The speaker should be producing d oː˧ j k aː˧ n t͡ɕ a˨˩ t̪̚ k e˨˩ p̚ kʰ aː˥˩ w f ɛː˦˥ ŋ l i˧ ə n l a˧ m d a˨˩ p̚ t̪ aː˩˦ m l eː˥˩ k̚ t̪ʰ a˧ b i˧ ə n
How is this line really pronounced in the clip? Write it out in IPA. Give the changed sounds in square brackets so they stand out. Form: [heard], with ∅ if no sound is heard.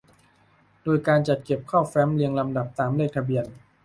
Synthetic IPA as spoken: d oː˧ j k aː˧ n t͡ɕ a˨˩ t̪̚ k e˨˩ p̚ kʰ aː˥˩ w f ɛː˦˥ [m] l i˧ ə [ŋ] l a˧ m d a˨˩ p̚ t̪ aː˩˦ m l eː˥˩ k̚ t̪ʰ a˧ b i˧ ə n